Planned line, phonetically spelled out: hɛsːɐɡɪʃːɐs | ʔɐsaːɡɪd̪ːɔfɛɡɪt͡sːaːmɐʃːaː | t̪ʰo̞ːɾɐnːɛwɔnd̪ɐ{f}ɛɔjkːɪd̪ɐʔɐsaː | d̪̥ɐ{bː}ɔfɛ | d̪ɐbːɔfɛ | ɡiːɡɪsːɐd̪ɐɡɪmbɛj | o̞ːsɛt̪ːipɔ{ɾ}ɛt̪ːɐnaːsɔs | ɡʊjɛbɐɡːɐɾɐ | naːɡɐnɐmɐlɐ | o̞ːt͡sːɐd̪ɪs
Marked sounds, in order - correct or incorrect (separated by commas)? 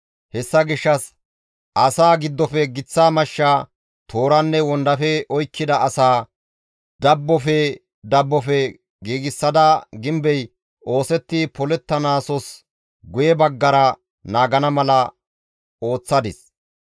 correct, correct, incorrect